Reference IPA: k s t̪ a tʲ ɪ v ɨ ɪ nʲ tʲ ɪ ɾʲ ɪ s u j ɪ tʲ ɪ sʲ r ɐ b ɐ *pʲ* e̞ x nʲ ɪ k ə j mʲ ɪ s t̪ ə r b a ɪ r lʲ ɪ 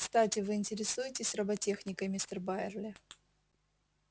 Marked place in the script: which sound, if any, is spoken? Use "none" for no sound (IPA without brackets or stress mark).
tʲ